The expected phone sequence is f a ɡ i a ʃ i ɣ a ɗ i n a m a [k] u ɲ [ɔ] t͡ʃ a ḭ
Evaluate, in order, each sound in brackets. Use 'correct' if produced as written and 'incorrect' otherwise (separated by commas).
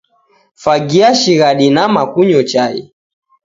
correct, correct